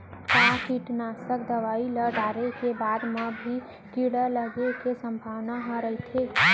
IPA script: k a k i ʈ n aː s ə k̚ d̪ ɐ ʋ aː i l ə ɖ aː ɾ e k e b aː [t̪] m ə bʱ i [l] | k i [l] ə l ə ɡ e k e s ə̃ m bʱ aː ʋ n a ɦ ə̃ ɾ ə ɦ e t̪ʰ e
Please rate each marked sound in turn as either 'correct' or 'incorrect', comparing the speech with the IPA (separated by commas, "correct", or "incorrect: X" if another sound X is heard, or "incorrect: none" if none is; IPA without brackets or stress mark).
incorrect: d̪, incorrect: none, incorrect: ɽ